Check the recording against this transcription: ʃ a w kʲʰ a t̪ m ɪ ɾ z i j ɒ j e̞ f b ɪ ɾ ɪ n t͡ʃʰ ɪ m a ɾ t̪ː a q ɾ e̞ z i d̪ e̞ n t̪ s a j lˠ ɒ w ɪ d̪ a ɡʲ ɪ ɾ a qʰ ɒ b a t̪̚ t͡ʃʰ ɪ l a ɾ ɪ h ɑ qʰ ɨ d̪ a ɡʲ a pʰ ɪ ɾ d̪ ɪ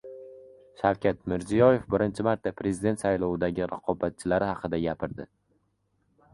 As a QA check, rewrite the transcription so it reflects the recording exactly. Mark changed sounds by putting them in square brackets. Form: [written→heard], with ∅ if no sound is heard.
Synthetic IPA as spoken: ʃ a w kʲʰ a t̪ m ɪ ɾ z i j ɒ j e̞ f b ɪ ɾ ɪ n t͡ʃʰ ɪ m a ɾ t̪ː a [q→p] ɾ e̞ z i d̪ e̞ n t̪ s a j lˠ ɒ w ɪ d̪ a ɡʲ ɪ ɾ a qʰ ɒ b a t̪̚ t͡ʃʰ ɪ l a ɾ ɪ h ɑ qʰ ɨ d̪ a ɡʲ a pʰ ɪ ɾ d̪ ɪ

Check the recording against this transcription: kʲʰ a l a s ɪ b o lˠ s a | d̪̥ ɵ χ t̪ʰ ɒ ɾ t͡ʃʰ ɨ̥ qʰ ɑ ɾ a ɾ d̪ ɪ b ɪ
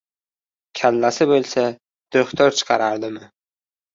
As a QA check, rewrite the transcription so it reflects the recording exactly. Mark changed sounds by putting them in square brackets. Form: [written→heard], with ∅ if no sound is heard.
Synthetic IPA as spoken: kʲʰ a [l→lː] a s ɪ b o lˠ s a | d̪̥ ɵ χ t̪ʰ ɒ ɾ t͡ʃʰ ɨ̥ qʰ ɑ ɾ a ɾ d̪ ɪ [b→m] ɪ

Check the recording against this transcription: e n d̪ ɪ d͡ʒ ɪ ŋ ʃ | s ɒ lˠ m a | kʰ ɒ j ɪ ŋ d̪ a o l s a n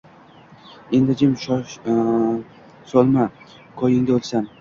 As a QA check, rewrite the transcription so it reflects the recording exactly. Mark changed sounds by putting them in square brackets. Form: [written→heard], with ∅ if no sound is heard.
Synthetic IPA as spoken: e n d̪ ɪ d͡ʒ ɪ [ŋ→m] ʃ | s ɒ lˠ m a | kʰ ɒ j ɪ ŋ d̪ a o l s a n

